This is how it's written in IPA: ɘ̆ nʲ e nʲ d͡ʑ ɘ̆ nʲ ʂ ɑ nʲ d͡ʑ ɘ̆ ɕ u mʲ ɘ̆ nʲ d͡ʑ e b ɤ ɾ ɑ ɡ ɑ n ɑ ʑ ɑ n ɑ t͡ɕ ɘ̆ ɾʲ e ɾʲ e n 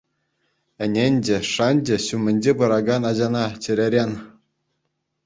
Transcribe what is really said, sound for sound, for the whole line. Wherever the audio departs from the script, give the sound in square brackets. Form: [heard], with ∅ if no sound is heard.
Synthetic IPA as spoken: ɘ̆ nʲ e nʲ d͡ʑ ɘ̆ [∅] ʂ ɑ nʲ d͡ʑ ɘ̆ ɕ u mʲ ɘ̆ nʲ d͡ʑ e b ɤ ɾ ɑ ɡ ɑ n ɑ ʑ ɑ n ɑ t͡ɕ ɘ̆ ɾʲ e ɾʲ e n